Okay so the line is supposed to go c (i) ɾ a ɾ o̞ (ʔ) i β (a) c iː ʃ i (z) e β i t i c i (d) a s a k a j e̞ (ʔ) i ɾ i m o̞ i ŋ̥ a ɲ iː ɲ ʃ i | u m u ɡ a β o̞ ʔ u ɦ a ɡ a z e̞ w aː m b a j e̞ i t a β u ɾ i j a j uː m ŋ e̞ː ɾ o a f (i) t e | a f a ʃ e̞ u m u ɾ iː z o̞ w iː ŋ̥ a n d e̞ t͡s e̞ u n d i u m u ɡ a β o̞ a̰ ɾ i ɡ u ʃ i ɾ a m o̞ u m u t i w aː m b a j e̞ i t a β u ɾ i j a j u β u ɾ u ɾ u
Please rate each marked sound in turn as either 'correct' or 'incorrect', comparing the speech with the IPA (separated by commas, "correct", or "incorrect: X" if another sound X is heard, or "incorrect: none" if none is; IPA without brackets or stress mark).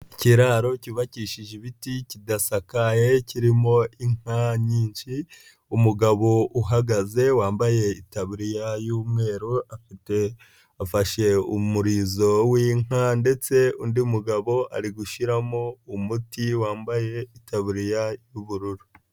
correct, incorrect: c, correct, incorrect: ʒ, correct, incorrect: c, correct